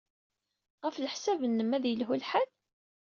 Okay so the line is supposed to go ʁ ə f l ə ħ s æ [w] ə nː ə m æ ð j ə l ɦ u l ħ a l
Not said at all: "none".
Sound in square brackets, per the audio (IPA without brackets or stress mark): v